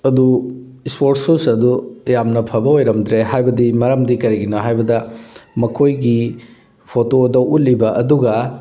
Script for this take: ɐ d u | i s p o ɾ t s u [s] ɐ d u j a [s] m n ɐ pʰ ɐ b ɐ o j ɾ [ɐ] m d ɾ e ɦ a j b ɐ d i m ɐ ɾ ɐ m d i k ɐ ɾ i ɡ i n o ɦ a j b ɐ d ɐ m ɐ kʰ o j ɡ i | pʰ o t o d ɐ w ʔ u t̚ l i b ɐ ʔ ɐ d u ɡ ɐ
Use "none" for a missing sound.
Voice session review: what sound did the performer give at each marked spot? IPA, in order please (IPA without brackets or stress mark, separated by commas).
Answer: s, none, ɐ